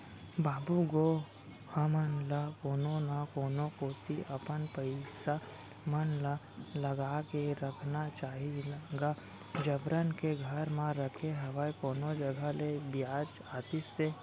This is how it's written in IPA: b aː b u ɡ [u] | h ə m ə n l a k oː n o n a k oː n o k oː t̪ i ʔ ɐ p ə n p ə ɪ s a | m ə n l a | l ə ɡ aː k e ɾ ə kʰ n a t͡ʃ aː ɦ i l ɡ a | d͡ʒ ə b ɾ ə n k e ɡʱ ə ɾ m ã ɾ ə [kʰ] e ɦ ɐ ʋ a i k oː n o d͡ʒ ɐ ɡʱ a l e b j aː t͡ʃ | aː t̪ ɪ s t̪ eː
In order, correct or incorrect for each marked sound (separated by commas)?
incorrect, correct